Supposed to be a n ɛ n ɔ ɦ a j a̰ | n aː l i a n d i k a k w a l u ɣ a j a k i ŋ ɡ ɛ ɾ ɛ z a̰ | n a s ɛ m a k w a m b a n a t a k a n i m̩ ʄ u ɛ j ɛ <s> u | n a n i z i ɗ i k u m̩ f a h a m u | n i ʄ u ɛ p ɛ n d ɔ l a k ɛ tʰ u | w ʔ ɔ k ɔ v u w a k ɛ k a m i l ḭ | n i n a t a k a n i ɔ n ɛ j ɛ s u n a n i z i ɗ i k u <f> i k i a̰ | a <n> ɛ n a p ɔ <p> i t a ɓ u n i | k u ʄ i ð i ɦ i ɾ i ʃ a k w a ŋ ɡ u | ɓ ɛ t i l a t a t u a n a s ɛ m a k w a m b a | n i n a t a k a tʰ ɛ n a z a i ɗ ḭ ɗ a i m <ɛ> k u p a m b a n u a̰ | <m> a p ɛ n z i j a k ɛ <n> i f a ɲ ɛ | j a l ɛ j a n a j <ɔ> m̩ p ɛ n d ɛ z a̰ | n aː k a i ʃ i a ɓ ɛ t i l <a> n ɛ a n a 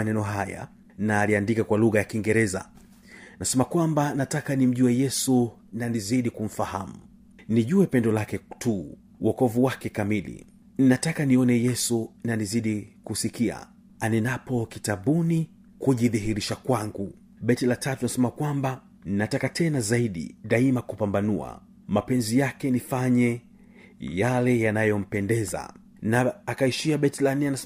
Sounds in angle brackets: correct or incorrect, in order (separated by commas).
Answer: correct, incorrect, correct, incorrect, incorrect, correct, correct, correct, correct